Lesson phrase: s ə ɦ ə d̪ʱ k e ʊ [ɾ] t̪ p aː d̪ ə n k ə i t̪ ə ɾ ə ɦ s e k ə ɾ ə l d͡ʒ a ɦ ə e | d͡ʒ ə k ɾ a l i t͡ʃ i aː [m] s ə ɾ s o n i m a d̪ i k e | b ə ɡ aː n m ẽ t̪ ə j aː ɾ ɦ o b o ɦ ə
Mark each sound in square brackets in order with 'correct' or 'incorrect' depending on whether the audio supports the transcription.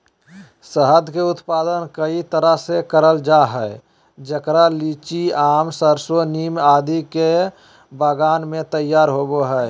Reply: incorrect, correct

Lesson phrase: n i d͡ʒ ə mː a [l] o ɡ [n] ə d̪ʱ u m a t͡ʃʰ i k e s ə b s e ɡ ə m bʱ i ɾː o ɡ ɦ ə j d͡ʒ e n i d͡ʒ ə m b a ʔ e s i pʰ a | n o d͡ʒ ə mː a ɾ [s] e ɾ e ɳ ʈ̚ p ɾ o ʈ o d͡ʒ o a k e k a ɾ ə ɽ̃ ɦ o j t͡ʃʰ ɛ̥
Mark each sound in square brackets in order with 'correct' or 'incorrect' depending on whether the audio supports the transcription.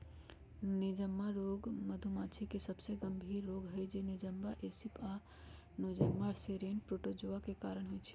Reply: incorrect, incorrect, correct

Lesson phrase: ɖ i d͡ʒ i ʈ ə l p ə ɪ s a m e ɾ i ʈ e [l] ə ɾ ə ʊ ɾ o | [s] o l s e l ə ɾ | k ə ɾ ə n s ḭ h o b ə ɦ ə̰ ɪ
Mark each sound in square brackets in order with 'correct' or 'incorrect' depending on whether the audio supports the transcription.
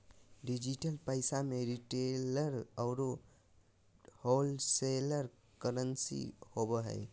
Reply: correct, incorrect

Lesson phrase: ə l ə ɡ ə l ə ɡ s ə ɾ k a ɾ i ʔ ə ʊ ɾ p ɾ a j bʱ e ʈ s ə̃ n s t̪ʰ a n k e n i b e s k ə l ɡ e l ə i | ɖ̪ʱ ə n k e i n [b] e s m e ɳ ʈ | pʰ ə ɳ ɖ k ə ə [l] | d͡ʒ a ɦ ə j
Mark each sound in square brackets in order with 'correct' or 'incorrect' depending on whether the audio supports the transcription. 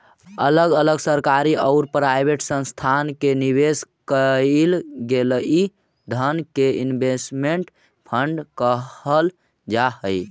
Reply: correct, correct

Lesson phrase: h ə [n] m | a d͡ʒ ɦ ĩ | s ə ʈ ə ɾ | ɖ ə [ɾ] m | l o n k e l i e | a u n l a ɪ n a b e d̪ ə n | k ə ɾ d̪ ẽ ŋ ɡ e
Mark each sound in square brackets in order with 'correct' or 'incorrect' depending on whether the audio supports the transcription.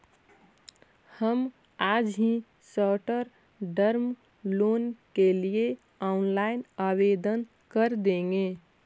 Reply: incorrect, correct

